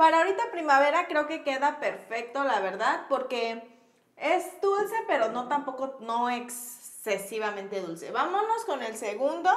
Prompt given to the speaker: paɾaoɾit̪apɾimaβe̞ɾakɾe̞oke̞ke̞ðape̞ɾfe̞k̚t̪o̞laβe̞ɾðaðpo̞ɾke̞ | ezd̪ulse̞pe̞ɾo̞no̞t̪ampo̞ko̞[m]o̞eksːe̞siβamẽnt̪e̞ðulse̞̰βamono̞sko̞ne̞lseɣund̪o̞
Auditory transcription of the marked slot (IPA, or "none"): n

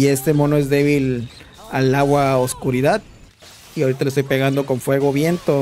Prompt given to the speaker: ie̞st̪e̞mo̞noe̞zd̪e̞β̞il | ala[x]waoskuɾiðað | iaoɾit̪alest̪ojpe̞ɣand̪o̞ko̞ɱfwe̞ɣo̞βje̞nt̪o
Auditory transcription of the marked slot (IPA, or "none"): ɣ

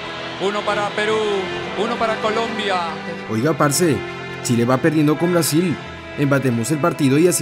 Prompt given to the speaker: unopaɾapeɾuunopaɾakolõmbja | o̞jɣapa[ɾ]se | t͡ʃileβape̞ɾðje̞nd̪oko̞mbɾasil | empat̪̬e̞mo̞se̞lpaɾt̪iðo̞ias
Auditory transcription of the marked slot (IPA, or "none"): ɾ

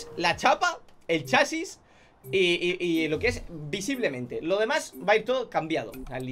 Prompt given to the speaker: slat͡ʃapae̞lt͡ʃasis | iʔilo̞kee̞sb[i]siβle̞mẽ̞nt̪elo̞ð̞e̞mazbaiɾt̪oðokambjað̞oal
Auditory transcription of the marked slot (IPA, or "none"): i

